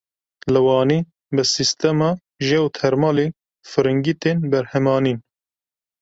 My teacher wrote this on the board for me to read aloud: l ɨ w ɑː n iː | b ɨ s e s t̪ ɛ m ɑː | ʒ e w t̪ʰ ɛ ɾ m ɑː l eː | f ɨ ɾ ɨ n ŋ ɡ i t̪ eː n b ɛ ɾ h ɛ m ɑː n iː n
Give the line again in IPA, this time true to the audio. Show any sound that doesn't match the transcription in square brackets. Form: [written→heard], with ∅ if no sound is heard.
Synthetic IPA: l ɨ w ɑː n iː | b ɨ s [e→i] s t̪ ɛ m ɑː | ʒ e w t̪ʰ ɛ ɾ m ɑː l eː | f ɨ ɾ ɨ [n→∅] ŋ ɡ i t̪ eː n b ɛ ɾ h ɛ m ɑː n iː n